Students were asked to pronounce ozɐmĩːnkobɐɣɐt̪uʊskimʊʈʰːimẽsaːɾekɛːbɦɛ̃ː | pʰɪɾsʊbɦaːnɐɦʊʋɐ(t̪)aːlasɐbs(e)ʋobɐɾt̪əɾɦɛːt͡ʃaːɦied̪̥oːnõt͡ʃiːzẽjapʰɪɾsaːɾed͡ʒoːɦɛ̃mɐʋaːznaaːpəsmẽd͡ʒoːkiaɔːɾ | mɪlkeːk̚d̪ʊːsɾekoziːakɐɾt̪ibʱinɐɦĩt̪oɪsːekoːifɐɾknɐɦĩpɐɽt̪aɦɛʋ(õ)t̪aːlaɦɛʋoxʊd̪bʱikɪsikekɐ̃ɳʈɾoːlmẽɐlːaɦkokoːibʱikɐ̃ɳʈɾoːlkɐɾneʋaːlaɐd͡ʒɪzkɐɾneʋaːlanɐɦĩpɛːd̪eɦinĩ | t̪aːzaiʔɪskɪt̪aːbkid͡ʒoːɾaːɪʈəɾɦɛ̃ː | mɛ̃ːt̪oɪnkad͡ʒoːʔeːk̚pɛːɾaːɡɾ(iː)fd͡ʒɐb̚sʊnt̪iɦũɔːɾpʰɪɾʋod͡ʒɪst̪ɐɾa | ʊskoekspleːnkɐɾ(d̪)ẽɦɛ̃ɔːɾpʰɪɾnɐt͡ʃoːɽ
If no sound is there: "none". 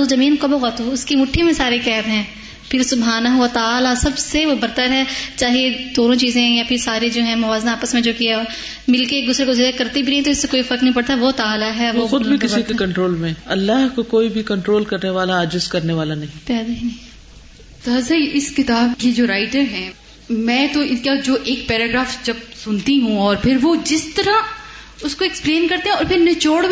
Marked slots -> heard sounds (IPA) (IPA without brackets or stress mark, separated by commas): t̪, e, o, aː, t̪